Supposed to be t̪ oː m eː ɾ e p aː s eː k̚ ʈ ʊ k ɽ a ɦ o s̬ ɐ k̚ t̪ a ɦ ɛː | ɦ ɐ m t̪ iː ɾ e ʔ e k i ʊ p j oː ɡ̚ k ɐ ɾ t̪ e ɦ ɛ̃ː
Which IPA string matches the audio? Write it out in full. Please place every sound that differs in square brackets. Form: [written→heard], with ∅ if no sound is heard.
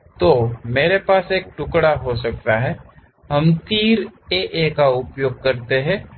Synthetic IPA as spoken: t̪ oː m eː ɾ e p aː s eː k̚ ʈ ʊ k ɽ a ɦ o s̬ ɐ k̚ t̪ a ɦ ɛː | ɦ ɐ m t̪ iː ɾ e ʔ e k [i→a] ʊ p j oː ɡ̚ k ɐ ɾ t̪ e ɦ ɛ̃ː